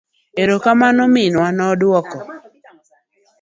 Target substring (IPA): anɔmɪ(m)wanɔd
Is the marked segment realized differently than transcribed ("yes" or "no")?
yes